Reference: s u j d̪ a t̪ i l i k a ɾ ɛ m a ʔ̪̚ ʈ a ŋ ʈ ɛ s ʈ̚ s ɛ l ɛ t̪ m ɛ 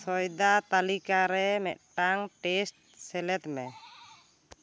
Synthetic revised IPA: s ɔ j d̪ a t̪ a l i k a ɾ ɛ m ɛ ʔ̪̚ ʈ a ŋ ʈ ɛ s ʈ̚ s ɛ l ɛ t̪ m ɛ